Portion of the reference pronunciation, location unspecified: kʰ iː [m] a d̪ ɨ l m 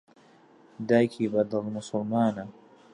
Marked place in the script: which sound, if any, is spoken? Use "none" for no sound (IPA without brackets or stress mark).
b